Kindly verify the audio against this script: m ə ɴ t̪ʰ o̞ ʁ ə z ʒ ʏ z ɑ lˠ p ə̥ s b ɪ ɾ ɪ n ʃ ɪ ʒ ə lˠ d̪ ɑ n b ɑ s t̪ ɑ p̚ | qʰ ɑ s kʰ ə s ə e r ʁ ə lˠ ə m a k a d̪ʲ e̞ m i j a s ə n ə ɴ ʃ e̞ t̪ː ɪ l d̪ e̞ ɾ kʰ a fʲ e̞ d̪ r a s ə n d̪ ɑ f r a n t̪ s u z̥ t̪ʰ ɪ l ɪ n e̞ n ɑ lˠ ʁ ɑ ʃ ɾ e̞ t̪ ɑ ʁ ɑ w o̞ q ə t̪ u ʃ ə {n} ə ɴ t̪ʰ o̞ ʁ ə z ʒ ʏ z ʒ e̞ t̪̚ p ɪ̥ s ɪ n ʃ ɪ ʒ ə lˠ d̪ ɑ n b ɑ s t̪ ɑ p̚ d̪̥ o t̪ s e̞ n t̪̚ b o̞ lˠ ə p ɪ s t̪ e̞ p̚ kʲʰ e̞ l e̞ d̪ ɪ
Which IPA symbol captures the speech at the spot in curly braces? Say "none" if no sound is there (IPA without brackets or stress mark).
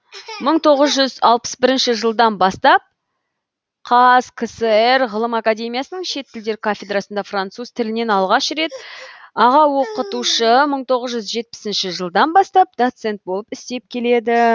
m